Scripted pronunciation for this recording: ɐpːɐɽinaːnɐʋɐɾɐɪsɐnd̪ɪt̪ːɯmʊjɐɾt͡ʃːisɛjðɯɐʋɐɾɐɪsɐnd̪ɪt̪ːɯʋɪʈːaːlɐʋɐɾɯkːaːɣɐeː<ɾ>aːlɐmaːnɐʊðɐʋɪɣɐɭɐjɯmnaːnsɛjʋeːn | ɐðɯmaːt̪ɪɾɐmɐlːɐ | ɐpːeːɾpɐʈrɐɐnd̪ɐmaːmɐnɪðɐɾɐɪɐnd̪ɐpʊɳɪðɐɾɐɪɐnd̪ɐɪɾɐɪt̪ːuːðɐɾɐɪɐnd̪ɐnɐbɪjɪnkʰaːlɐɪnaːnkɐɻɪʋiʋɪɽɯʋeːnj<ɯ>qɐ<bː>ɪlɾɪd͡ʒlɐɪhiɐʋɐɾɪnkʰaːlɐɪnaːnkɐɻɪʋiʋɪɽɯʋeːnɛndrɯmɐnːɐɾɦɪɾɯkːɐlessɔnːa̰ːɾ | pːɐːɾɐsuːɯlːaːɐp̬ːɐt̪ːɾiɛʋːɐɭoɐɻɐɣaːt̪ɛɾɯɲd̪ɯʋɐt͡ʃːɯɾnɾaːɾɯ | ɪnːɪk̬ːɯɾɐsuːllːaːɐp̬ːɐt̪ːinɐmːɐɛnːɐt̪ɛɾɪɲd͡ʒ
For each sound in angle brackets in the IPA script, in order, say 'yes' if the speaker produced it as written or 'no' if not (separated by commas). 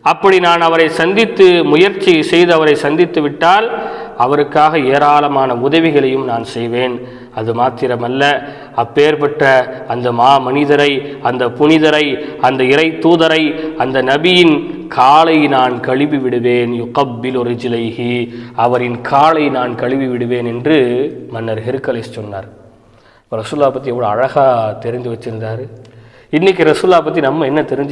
yes, no, yes